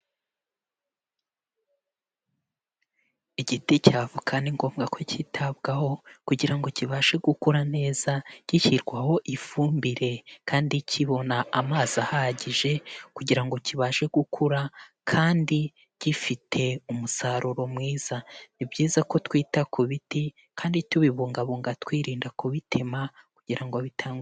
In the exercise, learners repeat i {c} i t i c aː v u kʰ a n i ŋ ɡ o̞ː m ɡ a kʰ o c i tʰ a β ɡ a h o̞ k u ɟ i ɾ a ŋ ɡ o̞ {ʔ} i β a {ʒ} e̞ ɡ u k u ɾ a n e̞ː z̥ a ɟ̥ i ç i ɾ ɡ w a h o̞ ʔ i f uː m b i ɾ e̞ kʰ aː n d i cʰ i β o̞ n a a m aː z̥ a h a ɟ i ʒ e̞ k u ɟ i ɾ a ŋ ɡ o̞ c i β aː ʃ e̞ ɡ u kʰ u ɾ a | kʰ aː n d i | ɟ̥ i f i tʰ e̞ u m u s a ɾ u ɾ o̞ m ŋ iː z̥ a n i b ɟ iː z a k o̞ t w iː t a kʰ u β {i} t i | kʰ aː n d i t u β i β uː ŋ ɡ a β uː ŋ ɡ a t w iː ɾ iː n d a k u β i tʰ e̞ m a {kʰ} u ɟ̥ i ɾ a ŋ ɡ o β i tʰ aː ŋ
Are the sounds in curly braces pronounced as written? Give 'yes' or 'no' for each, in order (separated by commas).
no, no, no, yes, no